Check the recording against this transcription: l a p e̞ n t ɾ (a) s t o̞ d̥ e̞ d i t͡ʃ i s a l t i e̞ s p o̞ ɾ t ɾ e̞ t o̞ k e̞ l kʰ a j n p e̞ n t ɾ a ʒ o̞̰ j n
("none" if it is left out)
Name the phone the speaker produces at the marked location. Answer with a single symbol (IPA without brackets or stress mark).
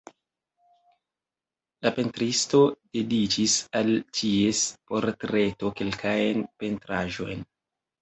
i